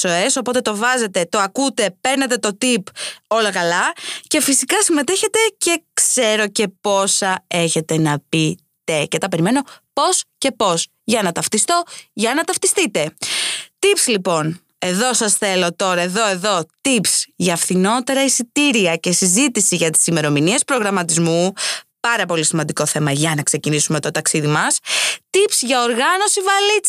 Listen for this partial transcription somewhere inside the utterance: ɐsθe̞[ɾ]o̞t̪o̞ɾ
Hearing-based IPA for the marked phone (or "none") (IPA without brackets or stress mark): l